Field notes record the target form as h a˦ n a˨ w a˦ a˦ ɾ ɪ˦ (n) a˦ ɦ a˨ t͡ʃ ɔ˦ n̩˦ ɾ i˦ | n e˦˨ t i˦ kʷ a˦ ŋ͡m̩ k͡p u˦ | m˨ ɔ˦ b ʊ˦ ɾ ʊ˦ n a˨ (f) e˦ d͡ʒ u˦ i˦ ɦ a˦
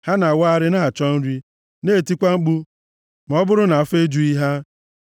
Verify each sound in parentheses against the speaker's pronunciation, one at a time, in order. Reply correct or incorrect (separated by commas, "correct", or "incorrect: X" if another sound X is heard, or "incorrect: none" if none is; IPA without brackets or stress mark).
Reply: correct, correct